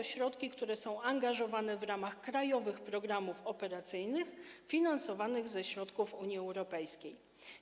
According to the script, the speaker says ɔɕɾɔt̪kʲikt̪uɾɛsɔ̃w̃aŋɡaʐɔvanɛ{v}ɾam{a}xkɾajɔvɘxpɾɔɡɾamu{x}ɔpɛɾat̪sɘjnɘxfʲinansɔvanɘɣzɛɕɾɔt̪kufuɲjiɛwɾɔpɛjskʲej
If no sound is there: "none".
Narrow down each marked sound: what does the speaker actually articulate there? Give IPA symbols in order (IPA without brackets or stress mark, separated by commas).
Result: v, a, f